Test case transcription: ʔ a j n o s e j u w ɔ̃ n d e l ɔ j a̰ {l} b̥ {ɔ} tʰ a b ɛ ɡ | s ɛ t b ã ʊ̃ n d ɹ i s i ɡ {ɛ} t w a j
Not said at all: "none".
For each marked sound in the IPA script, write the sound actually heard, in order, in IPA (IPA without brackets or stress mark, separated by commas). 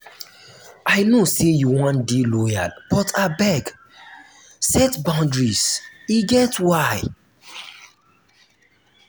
l, ɔ, ɛ